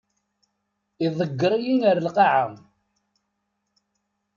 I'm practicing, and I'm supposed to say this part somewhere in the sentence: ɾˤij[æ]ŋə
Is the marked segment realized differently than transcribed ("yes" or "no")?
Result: yes